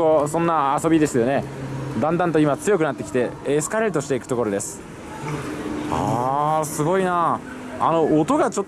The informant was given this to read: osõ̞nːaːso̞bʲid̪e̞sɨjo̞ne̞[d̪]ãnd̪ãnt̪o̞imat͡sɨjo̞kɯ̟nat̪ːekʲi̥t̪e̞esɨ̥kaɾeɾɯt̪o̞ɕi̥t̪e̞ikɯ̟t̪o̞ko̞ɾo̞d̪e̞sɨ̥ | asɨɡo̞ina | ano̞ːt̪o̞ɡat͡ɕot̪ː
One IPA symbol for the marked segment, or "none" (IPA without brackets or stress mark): d̪